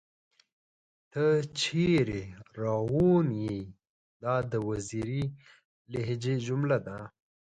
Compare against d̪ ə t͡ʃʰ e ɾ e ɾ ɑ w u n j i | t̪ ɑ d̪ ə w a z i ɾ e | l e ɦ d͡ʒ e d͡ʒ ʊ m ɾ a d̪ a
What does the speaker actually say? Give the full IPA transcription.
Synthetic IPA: t̪ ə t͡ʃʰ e ɾ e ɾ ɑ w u n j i | d̪ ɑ d̪ ə w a z i ɾ i | l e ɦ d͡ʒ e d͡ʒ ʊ m l a d̪ a